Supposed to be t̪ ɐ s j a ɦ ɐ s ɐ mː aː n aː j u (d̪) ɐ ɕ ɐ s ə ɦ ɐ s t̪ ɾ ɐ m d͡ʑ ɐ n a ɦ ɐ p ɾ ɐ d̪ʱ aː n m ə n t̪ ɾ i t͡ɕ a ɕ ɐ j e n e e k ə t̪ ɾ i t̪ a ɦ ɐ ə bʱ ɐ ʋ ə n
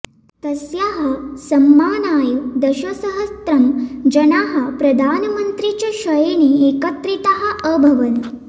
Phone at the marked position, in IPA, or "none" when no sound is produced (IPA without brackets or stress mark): d̪